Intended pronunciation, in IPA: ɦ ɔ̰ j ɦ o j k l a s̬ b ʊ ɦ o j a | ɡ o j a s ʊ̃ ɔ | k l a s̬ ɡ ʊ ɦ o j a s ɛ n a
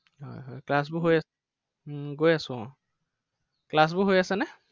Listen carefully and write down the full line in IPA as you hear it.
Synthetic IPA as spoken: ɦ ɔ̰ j ɦ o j k l a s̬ b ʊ ɦ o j a | ɡ o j a s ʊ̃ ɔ | k l a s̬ b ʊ ɦ o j a s ɛ n ɛ